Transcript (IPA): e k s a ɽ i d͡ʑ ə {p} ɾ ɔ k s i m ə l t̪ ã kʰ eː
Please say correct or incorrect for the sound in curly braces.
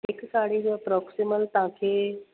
correct